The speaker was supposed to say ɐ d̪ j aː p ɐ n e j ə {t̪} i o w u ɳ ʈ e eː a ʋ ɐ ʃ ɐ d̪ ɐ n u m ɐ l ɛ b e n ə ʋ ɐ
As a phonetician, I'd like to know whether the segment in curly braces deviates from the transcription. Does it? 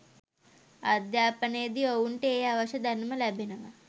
yes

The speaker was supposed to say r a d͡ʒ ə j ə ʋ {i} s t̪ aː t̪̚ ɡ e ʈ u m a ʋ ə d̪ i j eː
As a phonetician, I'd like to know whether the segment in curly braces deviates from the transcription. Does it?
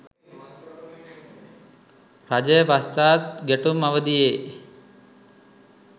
yes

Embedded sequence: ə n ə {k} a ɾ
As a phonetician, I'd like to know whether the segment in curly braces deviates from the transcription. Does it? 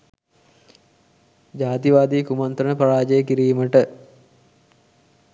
yes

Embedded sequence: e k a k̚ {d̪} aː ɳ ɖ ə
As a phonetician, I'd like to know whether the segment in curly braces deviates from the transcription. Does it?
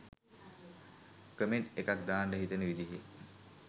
no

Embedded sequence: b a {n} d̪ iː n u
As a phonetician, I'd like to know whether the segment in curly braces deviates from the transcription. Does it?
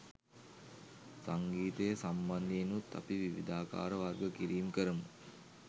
no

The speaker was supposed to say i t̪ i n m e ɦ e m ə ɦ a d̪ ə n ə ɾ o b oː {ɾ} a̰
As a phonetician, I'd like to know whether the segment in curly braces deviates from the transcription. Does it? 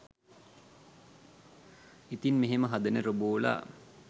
yes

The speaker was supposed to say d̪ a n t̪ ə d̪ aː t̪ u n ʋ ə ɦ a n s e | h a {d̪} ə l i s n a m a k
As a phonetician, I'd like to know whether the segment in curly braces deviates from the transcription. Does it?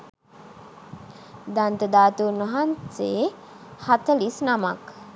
yes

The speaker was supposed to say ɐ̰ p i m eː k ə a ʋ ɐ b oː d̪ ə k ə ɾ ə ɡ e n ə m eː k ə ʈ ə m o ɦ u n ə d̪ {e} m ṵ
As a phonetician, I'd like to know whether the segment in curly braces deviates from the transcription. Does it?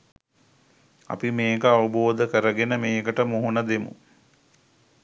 no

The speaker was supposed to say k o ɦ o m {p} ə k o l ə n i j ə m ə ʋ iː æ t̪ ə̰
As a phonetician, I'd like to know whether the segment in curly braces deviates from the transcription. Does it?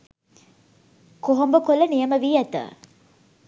yes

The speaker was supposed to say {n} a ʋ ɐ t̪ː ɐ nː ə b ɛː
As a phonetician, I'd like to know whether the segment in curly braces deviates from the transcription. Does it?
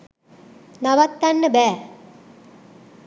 no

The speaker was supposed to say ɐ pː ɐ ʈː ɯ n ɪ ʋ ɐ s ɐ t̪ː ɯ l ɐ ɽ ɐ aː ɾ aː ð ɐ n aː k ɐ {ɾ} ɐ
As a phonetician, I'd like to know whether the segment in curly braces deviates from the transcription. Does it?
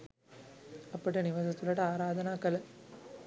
yes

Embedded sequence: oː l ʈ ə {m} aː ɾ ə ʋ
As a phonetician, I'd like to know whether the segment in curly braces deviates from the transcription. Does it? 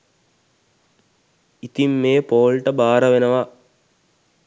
yes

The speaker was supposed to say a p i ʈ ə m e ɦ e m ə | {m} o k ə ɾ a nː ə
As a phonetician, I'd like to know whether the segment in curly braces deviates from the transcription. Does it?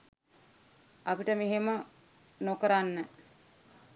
yes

